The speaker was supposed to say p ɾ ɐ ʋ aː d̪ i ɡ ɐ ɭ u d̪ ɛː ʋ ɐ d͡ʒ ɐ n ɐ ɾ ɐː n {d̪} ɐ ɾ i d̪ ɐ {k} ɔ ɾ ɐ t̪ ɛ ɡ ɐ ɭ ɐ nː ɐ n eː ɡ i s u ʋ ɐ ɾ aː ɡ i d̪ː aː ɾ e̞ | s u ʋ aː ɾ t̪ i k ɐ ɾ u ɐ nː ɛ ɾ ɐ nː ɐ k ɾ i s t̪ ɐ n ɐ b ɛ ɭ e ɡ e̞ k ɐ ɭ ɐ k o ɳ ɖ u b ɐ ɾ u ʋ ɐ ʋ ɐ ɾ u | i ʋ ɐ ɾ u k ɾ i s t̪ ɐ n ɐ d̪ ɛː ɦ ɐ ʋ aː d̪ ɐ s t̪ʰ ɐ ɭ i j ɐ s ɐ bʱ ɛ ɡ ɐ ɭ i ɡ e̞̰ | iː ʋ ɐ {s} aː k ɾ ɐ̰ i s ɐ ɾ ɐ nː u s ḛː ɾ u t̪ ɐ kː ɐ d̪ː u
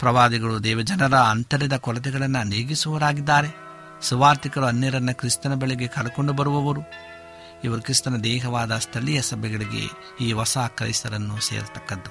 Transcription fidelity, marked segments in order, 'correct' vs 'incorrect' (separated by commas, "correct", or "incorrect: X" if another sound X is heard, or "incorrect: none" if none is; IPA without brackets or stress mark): incorrect: t̪, correct, correct